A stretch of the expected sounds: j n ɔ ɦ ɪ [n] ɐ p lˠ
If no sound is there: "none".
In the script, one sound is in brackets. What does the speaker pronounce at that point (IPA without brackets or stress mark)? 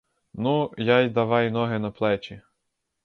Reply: n